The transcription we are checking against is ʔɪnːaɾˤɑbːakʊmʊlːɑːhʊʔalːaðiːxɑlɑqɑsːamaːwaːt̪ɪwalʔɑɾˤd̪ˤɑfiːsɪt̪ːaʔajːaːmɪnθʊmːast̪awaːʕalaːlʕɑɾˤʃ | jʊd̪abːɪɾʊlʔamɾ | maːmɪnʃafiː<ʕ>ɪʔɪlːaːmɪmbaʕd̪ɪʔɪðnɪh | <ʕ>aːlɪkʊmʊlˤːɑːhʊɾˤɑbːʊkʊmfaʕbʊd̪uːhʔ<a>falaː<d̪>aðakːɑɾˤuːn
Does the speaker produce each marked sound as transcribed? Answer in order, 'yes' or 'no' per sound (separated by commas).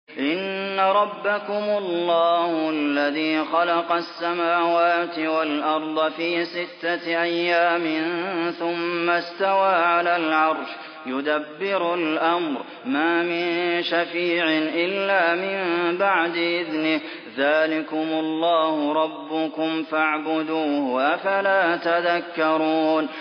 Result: yes, no, yes, no